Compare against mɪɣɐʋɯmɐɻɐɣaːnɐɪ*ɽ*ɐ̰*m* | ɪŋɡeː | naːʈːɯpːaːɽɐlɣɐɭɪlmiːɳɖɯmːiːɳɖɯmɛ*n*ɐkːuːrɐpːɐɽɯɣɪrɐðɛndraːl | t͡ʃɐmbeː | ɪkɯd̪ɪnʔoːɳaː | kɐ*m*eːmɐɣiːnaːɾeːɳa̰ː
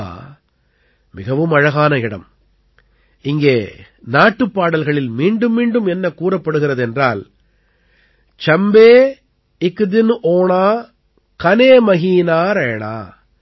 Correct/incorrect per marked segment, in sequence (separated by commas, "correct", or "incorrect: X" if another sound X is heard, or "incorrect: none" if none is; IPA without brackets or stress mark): correct, correct, incorrect: nː, incorrect: n